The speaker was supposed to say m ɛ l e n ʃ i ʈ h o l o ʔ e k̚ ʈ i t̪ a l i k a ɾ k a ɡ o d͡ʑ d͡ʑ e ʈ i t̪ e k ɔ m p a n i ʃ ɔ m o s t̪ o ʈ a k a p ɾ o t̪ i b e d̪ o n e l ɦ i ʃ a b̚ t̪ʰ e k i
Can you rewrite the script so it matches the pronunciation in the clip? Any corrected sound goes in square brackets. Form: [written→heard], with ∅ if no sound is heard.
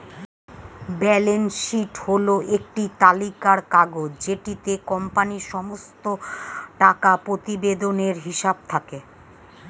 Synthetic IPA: [m→b] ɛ l e n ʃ i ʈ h o l o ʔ e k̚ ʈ i t̪ a l i k a ɾ k a ɡ o d͡ʑ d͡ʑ e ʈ i t̪ e k ɔ m p a n i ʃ ɔ m o s t̪ o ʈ a k a p ɾ o t̪ i b e d̪ o n e [l→ɾ] ɦ i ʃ a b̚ t̪ʰ [e→a] k [i→e]

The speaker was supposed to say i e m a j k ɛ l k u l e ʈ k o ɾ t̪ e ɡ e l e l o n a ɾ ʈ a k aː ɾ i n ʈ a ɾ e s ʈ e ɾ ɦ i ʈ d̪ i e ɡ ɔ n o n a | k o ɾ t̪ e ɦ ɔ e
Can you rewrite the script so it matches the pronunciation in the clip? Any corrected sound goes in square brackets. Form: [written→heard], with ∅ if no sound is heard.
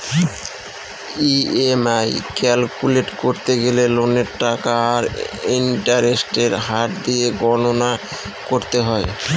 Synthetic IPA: i e m a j k ɛ l k u l e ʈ k o ɾ t̪ e ɡ e l e l o n [a→e] ɾ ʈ a k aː ɾ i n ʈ a ɾ e s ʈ e ɾ ɦ [i→a] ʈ d̪ i e ɡ ɔ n o n a | k o ɾ t̪ e ɦ ɔ e

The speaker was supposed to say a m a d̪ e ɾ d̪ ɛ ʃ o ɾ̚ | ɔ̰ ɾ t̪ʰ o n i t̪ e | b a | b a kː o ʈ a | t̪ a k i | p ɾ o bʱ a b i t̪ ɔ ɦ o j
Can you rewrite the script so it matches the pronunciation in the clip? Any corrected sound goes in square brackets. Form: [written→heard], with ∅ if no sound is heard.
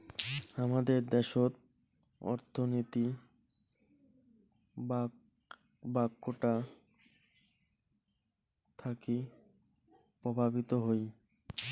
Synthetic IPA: a m a d̪ e ɾ d̪ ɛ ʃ o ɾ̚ | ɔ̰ ɾ t̪ʰ o n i t̪ [e→i] | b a | b a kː o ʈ a | [t̪→t̪ʰ] a k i | p ɾ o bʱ a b i t̪ [ɔ→o] ɦ o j

